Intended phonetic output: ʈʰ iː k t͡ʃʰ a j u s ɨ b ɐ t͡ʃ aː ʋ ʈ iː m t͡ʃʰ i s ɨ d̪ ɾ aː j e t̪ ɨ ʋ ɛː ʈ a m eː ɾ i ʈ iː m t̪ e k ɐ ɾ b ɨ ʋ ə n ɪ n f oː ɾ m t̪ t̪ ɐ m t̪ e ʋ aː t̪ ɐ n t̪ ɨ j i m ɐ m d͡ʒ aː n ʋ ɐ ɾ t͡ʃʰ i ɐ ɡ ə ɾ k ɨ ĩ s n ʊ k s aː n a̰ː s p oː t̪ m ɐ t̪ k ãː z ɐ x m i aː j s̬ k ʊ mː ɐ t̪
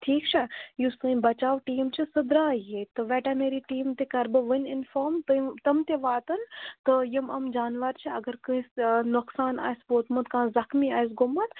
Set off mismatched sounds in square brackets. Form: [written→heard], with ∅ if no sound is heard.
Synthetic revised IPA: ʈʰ iː k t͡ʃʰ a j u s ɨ b ɐ t͡ʃ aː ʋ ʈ iː m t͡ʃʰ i s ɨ d̪ ɾ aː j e t̪ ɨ ʋ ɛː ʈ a m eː ɾ i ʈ iː m t̪ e k ɐ ɾ b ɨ ʋ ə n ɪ n f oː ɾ m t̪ t̪ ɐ m t̪ e ʋ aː t̪ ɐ n t̪ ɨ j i m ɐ m d͡ʒ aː n ʋ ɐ ɾ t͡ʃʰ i ɐ ɡ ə ɾ k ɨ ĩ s n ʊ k s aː n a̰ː s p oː t̪ m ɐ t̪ k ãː z ɐ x m i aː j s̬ [k→ɡ] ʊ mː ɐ t̪